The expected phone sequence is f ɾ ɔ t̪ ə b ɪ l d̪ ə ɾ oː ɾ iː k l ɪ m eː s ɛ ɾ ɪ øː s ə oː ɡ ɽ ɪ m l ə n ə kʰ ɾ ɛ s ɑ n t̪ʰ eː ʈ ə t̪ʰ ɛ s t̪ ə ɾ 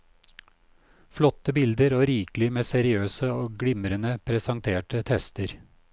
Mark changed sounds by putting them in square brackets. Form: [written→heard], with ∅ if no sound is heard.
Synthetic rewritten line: f [ɾ→l] ɔ t̪ ə b ɪ l d̪ ə ɾ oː ɾ iː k l ɪ m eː s ɛ ɾ ɪ øː s ə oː ɡ ɽ ɪ m [l→ɾ] ə n ə [kʰ→pʰ] ɾ ɛ s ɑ [n→ŋ] t̪ʰ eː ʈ ə t̪ʰ ɛ s t̪ ə ɾ